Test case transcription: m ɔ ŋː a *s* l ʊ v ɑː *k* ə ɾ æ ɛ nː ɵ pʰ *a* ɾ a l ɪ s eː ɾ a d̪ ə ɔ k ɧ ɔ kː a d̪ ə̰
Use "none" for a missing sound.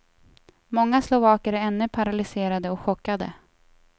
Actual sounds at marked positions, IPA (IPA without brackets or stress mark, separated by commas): s, k, a